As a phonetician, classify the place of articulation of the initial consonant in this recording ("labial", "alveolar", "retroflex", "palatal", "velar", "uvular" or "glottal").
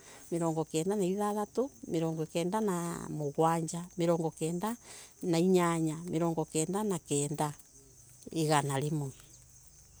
labial